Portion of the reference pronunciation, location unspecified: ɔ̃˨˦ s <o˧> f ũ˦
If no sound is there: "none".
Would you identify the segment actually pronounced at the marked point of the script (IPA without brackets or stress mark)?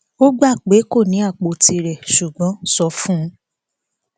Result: ɔ˧